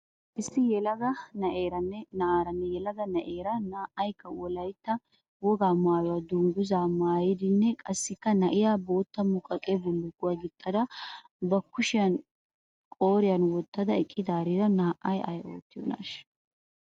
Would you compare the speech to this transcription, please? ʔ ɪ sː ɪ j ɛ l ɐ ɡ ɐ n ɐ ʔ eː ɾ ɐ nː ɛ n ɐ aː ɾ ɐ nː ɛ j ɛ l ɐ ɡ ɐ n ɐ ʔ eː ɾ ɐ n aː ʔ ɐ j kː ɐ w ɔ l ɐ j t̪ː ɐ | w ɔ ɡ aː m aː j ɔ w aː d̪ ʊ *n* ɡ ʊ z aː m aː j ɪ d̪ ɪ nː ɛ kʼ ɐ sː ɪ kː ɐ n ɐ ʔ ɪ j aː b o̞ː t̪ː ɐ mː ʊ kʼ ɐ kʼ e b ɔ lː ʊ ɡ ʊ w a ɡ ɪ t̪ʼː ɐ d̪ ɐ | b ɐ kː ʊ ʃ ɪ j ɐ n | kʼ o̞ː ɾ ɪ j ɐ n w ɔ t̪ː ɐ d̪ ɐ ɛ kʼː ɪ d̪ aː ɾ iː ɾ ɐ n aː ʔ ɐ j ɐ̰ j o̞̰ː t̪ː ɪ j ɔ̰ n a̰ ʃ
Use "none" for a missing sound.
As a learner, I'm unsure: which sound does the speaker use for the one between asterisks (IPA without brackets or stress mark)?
ŋ